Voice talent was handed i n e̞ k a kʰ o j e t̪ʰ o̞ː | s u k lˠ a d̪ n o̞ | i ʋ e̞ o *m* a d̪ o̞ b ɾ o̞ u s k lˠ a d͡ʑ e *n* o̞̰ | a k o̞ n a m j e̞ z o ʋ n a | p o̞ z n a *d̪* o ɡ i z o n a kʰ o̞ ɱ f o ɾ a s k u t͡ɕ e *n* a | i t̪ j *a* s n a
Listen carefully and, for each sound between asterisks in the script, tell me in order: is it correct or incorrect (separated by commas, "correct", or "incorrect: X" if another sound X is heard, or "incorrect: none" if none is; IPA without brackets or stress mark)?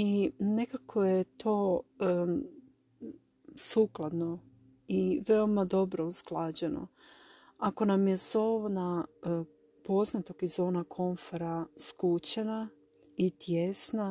correct, correct, incorrect: t̪, correct, incorrect: e